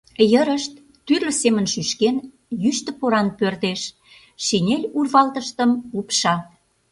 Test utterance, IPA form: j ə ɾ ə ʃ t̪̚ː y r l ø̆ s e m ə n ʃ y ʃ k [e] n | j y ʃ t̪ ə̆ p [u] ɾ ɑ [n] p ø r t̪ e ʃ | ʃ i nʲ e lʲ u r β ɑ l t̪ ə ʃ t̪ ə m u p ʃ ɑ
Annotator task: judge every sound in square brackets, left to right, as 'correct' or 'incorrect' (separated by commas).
correct, incorrect, correct